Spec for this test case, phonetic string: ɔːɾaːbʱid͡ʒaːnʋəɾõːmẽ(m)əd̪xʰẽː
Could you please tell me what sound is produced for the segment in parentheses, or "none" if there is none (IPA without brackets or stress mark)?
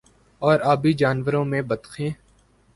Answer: b